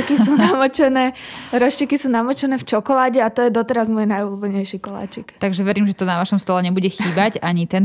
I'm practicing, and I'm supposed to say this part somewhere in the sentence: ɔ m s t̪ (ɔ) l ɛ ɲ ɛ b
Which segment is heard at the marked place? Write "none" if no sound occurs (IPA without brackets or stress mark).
ɔ